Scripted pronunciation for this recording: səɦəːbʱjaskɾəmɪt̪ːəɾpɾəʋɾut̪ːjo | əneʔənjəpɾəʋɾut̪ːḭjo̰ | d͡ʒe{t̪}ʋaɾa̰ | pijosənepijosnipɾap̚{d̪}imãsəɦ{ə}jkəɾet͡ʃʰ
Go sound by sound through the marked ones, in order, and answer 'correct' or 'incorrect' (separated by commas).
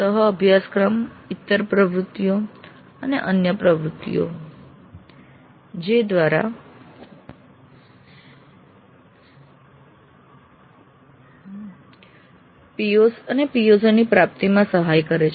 incorrect, incorrect, incorrect